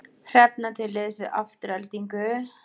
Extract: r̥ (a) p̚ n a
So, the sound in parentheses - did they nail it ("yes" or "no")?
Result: no